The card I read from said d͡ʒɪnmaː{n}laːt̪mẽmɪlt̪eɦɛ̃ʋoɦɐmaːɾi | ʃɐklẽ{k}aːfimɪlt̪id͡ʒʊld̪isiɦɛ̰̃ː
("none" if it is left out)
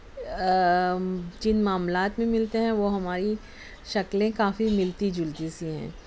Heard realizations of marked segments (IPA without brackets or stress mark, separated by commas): m, k